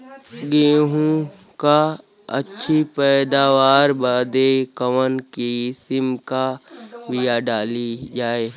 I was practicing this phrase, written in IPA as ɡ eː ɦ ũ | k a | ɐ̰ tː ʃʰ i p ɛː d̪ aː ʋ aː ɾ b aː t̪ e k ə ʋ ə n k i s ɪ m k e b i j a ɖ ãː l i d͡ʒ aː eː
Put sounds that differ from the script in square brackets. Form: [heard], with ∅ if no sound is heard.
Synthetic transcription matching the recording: ɡ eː ɦ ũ | k a | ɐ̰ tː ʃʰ i p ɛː d̪ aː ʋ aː ɾ b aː [d̪] e k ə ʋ ə n k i s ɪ m k [a] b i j a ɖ [aː] l i d͡ʒ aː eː